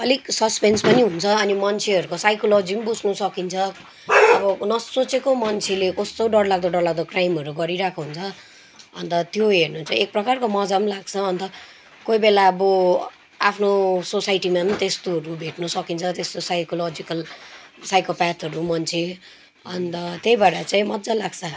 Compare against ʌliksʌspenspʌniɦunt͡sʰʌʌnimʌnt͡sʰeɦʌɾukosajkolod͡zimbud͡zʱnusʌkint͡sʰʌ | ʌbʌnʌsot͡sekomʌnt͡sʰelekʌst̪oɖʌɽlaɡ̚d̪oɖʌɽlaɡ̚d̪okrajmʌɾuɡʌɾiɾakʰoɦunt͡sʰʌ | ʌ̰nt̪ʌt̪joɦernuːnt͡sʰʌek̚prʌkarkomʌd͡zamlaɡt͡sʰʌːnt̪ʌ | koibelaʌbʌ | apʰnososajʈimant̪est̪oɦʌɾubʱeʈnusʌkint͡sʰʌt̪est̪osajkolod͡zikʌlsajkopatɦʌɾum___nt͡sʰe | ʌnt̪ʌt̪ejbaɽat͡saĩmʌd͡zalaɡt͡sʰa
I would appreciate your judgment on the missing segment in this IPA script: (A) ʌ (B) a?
A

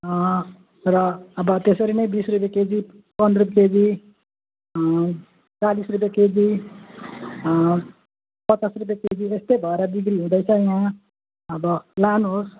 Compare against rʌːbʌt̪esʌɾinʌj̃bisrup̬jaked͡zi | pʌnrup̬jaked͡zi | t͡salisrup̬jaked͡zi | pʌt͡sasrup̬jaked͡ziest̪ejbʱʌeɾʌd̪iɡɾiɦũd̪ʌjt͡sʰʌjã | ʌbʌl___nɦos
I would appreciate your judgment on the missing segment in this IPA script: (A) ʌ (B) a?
B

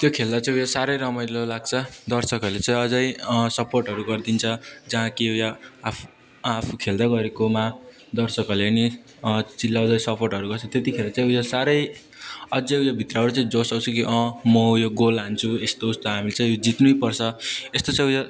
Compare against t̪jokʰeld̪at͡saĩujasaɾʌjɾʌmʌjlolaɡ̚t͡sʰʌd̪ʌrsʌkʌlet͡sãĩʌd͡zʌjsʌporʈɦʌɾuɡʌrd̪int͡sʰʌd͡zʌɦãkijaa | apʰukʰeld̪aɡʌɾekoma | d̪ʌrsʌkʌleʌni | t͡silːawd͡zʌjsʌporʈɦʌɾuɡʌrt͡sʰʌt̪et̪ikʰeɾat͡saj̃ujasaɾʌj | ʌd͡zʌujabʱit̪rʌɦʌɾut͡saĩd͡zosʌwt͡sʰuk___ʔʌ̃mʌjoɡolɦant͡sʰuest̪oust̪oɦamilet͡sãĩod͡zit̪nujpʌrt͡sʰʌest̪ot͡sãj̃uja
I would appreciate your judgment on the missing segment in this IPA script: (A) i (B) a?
A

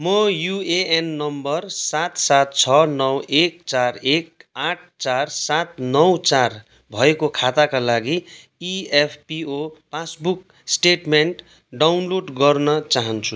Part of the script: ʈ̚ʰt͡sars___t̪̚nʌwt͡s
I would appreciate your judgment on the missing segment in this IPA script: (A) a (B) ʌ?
A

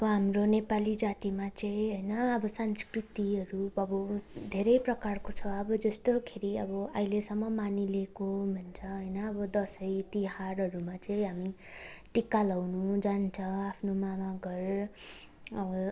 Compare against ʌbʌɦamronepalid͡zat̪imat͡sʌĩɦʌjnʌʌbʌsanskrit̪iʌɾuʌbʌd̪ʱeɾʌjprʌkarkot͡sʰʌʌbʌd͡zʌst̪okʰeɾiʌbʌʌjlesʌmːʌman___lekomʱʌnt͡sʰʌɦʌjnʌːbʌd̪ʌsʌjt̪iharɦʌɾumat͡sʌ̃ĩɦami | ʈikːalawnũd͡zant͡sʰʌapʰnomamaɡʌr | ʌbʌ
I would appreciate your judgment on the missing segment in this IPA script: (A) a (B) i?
B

